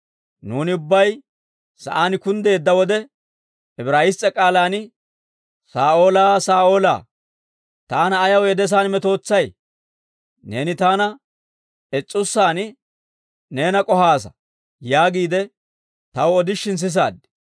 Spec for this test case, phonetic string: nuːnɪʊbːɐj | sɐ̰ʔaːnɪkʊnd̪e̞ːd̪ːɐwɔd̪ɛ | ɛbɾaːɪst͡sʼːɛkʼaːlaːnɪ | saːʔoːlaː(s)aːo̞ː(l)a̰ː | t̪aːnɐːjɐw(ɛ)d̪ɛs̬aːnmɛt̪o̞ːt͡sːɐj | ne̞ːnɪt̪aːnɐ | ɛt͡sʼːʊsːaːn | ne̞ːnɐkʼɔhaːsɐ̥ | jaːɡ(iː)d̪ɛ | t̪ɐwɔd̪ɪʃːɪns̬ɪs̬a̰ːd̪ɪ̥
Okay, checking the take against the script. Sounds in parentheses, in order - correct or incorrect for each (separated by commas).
correct, correct, correct, correct